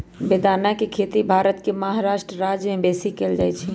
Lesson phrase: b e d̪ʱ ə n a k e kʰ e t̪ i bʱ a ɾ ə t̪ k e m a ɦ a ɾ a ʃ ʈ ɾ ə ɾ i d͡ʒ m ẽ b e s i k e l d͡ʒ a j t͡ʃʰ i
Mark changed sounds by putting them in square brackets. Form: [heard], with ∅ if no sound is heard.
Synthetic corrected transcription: b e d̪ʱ [a] n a k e kʰ e t̪ i bʱ a ɾ ə t̪ k e m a ɦ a ɾ a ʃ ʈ ɾ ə ɾ [a] d͡ʒ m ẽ b e s i k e l d͡ʒ a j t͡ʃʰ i